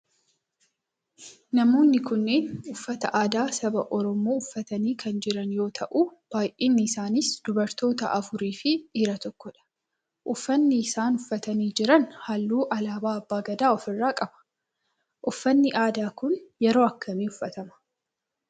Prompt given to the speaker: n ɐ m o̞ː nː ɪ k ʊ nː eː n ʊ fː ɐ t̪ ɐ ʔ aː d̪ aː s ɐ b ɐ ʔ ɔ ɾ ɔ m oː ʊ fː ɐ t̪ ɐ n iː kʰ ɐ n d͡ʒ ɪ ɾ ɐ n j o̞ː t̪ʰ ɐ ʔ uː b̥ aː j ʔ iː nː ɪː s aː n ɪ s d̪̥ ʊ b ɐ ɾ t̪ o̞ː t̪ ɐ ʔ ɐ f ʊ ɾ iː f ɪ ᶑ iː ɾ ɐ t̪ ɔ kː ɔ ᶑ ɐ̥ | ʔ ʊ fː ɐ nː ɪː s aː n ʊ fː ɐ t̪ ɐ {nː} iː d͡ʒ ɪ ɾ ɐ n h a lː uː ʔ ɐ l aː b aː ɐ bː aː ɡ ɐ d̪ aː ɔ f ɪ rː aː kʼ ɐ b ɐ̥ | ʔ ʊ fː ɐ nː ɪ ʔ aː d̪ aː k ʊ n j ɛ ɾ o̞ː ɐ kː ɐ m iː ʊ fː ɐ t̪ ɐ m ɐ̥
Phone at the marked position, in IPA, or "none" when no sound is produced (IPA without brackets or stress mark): n